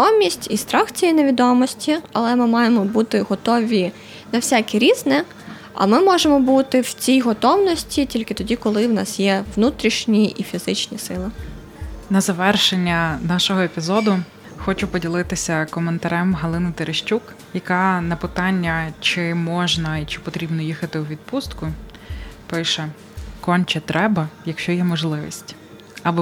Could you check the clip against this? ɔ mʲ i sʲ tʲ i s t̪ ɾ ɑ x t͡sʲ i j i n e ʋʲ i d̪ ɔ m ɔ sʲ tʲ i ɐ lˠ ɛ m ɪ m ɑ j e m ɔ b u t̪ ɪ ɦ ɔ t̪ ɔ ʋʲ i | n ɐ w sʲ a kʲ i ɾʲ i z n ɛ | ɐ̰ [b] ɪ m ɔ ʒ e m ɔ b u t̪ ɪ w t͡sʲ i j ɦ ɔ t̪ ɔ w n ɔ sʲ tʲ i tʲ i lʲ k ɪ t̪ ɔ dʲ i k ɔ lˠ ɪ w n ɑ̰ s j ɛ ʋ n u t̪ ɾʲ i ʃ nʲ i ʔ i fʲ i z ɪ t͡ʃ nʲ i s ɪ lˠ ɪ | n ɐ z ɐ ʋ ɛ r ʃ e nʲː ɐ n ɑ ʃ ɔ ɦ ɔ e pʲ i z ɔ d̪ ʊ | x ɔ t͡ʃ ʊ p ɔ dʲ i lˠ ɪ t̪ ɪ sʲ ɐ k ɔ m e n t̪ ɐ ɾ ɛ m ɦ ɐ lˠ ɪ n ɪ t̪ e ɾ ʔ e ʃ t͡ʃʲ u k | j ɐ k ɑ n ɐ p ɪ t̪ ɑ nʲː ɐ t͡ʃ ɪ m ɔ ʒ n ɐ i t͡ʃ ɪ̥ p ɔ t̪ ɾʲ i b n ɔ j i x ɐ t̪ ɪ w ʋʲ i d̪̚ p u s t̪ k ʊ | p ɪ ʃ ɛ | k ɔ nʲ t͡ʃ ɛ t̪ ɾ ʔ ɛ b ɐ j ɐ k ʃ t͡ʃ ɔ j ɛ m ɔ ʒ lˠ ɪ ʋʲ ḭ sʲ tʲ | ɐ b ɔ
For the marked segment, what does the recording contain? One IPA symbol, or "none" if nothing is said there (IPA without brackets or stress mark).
m